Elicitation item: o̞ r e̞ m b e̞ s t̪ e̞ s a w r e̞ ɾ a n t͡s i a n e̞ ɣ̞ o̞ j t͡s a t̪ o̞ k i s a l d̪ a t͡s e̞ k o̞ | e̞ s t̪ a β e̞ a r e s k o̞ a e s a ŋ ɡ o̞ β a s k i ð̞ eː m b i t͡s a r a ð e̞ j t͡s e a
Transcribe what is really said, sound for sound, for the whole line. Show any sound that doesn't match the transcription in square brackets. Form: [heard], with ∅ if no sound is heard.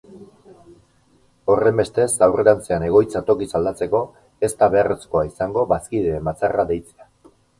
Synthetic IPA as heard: o̞ r e̞ m b e̞ s t̪ e̞ s a w r e̞ ɾ a n t͡s [e] a n e̞ ɣ̞ o̞ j t͡s a t̪ o̞ k i s a l d̪ a t͡s e̞ k o̞ | e̞ s t̪ a β e̞ a r e s k o̞ a [i] s a ŋ ɡ o̞ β a s k i ð̞ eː m b [a] t͡s a r a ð e̞ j t͡s e a